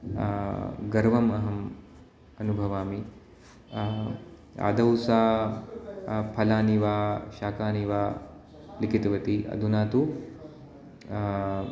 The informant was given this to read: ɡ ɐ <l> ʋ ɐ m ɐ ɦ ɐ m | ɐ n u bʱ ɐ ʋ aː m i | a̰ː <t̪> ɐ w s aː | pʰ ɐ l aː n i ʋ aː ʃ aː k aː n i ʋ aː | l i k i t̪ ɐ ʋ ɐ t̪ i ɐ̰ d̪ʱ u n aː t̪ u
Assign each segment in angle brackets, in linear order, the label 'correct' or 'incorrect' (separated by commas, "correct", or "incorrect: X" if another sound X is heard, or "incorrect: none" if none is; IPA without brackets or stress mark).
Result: incorrect: ɾ, incorrect: d̪